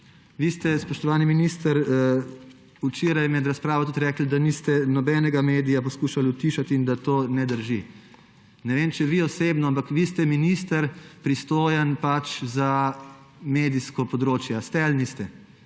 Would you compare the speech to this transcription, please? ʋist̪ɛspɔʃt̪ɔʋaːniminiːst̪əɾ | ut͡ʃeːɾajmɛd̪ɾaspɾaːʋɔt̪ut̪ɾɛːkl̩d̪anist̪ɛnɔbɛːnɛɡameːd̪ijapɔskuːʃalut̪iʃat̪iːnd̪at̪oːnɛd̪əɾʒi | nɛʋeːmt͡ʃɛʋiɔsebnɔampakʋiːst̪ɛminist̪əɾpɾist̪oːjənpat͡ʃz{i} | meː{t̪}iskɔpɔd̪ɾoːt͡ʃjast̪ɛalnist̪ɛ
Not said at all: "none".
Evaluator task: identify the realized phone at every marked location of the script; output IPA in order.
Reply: a, d̪

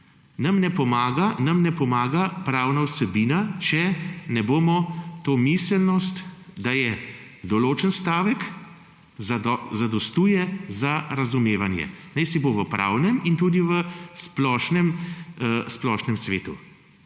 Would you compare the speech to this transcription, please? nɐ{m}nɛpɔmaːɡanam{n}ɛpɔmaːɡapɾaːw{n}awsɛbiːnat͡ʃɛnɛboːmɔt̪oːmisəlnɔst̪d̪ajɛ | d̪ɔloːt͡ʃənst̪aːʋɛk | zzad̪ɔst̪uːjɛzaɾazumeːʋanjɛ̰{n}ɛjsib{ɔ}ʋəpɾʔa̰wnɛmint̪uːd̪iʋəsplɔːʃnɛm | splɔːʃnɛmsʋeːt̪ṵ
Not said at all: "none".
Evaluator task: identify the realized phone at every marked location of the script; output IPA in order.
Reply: m, n, n, n, o

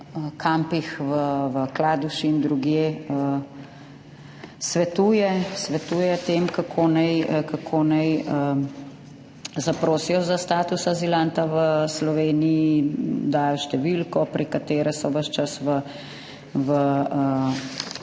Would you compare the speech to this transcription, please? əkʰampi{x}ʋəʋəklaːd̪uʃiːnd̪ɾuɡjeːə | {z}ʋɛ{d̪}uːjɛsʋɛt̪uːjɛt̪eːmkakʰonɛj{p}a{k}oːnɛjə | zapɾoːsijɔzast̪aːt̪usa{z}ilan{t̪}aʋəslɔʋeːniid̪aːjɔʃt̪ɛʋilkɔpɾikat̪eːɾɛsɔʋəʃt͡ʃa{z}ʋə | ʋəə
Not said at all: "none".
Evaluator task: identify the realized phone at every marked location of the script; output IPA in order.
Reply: x, s, t̪, k, kʰ, z, t̪, s

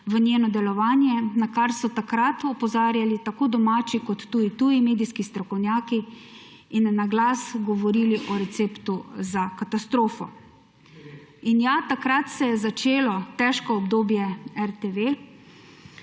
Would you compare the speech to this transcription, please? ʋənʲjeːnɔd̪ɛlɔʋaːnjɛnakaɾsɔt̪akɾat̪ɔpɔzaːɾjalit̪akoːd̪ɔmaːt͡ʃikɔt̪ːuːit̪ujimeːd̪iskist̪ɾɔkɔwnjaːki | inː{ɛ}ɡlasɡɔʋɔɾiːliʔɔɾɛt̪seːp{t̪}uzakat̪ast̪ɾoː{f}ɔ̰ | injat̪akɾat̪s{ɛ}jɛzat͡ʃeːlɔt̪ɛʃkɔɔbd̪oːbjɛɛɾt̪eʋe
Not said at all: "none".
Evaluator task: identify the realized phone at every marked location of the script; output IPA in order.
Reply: a, t̪, f, ɛ

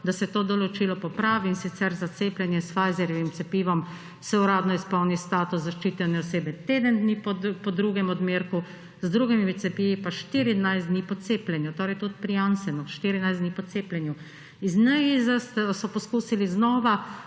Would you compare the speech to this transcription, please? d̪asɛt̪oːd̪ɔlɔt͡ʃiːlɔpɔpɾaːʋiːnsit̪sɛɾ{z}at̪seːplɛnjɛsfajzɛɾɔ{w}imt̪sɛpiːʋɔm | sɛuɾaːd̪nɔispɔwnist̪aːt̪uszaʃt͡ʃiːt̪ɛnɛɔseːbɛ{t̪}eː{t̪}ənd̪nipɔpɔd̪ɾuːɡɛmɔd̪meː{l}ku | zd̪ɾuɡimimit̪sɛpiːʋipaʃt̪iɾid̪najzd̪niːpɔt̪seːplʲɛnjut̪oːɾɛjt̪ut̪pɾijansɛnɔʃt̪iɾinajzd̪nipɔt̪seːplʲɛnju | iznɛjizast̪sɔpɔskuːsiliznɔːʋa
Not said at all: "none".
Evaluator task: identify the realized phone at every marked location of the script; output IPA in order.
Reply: z, ʋ, t̪, d̪, ɾ

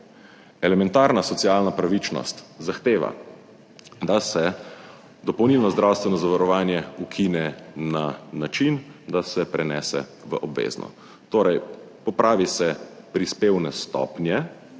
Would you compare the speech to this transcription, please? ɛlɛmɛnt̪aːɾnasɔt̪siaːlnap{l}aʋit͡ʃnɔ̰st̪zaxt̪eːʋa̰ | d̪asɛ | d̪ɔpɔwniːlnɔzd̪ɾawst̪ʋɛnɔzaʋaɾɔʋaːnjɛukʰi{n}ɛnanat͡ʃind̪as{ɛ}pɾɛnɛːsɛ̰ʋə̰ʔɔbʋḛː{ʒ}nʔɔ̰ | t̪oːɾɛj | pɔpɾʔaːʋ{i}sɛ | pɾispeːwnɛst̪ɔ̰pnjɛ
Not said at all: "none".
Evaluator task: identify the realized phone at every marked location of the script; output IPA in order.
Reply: ɾ, n, ɛ, z, i

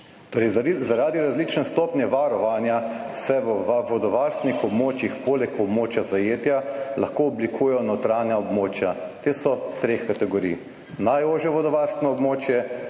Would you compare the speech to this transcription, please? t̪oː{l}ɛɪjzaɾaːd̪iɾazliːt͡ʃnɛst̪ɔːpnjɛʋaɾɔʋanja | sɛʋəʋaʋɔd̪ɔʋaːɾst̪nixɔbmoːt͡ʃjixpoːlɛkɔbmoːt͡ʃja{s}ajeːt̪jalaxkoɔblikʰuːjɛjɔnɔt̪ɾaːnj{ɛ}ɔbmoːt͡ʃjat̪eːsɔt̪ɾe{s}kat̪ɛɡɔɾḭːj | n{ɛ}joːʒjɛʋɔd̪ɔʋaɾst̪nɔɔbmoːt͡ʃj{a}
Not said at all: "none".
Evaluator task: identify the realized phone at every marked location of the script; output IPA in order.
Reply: ɾ, z, a, x, a, ɛ

